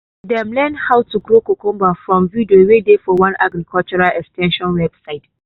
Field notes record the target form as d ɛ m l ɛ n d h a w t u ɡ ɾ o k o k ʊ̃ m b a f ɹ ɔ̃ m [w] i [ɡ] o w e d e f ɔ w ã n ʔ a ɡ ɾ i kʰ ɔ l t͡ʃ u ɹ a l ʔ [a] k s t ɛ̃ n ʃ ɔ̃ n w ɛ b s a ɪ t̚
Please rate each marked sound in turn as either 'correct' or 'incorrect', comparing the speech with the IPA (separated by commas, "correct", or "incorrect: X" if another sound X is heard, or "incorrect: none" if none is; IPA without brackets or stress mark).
incorrect: v, incorrect: d, incorrect: ɛ